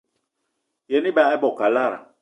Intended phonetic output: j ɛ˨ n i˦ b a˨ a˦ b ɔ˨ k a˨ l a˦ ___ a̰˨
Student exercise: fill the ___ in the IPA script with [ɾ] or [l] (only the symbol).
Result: ɾ